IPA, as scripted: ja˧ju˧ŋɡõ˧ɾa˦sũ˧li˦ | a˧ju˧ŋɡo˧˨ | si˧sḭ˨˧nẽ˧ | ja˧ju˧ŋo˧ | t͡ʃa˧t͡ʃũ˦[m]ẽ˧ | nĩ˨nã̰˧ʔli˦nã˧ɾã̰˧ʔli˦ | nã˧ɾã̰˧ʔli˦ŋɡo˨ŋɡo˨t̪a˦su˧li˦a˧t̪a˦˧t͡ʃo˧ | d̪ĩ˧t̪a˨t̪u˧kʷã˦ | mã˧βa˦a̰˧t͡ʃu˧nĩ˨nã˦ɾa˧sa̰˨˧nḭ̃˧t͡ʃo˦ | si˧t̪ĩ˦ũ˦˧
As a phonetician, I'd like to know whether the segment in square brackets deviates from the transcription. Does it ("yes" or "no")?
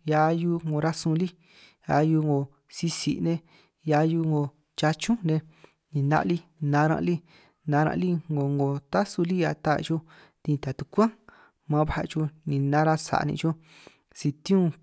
yes